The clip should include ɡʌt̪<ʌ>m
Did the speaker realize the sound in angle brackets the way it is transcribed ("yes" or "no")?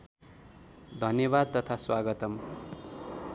yes